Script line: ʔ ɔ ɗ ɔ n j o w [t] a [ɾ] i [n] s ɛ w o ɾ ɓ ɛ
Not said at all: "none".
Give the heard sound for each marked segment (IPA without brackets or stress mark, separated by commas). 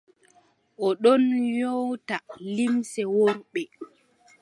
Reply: t, l, m